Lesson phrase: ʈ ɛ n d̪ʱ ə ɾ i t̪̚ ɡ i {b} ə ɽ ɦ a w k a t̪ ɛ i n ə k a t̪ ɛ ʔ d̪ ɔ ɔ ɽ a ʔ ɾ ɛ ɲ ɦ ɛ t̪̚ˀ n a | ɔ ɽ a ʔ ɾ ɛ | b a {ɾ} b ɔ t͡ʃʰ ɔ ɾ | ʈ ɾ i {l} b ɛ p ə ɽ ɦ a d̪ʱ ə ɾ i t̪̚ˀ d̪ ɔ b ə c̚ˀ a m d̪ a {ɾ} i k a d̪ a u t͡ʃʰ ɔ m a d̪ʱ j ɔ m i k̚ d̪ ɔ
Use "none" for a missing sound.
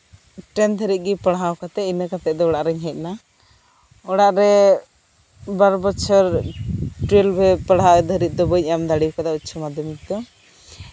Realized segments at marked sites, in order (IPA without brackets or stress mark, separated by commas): p, ɾ, l, ɽ